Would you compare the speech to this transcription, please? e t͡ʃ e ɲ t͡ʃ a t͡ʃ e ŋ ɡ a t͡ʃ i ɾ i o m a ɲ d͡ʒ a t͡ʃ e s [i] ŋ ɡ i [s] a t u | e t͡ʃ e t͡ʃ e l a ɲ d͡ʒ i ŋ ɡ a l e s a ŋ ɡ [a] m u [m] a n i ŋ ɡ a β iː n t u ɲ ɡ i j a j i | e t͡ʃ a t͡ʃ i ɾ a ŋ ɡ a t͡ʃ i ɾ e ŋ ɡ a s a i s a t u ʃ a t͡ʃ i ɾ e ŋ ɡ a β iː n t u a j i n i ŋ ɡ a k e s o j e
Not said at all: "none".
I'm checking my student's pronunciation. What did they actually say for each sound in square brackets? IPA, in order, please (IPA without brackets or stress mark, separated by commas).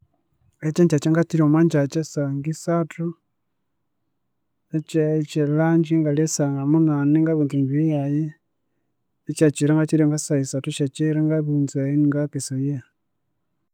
a, s, a, n